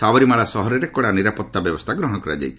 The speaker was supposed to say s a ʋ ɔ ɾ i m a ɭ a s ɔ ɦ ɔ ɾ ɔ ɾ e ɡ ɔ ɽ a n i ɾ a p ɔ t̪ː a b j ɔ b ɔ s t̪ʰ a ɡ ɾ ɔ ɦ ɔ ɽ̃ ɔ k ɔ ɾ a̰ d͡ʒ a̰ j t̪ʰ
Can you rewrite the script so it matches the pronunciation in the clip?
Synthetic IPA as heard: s a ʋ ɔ ɾ i m a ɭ a s ɔ ɦ ɔ ɾ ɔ ɾ e k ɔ ɽ a n i ɾ a p ɔ t̪ː a b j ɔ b ɔ s t̪ʰ a ɡ ɾ ɔ ɦ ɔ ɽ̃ ɔ k ɔ ɾ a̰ d͡ʒ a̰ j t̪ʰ